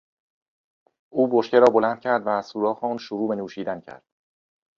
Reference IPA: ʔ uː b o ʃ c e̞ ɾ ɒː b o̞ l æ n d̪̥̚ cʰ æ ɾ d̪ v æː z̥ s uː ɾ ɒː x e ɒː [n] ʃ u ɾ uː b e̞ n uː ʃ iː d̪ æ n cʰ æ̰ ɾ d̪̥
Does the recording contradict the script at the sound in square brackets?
no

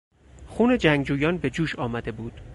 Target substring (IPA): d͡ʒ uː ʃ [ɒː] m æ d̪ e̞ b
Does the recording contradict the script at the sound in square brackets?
no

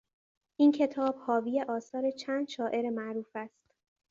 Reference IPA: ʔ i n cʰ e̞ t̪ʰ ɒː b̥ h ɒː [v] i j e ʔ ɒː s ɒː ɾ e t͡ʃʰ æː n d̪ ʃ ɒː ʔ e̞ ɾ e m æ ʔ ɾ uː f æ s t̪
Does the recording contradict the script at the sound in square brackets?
no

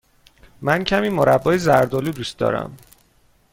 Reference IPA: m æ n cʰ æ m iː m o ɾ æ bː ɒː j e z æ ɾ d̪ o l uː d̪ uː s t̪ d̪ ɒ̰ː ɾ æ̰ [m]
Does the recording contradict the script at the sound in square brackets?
no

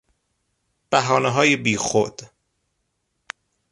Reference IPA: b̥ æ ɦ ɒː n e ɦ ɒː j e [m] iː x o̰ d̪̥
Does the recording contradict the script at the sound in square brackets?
yes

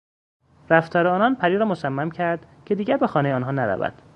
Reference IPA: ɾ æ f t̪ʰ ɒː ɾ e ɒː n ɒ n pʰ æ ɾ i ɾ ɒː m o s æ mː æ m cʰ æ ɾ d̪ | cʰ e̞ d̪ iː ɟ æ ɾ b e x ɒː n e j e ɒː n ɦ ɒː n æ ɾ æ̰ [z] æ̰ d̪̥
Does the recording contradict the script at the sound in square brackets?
yes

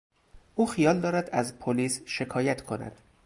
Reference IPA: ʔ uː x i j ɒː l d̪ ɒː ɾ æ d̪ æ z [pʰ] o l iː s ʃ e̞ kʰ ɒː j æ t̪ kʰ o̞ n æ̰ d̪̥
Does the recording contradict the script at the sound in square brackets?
no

